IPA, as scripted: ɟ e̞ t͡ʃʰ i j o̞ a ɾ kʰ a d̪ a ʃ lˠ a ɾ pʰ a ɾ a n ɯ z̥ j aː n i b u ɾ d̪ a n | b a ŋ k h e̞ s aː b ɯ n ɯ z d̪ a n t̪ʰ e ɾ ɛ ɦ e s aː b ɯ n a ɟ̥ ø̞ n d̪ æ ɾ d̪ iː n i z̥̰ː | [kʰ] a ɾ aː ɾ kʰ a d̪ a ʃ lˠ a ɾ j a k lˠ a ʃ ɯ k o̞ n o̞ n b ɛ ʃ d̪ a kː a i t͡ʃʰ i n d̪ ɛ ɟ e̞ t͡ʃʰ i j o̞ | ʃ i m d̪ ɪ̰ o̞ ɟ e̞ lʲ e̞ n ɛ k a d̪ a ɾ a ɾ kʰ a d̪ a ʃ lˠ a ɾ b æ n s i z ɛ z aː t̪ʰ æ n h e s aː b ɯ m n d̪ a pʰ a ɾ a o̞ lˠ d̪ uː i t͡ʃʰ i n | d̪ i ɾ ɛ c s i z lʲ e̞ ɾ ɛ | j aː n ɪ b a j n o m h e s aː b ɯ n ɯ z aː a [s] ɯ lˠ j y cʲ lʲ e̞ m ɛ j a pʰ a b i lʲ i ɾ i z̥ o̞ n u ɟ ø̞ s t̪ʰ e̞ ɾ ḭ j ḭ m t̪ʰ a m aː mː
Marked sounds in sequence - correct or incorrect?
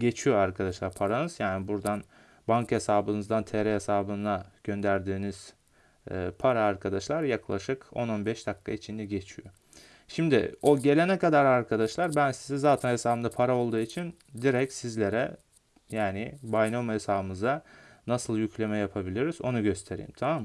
incorrect, correct

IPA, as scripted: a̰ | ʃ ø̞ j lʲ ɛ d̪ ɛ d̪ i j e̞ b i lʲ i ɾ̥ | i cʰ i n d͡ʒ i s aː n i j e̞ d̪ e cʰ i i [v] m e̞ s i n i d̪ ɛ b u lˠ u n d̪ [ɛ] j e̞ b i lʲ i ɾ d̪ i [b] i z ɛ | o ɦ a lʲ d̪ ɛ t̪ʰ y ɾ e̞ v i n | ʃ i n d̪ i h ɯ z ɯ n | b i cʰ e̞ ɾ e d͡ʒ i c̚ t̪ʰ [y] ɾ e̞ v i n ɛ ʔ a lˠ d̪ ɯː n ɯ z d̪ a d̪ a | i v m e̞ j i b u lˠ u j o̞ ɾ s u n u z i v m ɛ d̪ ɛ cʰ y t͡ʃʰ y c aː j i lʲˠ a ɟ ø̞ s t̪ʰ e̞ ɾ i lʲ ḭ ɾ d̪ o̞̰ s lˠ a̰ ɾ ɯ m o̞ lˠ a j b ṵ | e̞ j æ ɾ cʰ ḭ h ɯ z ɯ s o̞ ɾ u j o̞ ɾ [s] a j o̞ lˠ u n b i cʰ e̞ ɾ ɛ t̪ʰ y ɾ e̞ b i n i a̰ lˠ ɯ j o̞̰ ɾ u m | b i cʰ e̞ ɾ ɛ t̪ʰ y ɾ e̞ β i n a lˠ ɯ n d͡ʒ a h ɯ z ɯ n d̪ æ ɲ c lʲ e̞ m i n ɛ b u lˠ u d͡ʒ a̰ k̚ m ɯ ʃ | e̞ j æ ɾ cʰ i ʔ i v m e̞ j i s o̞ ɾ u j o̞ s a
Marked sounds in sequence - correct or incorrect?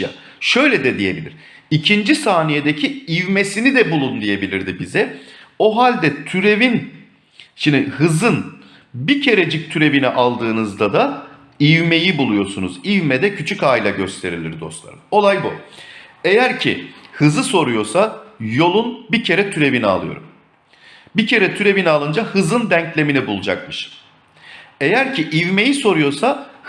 correct, incorrect, correct, correct, correct

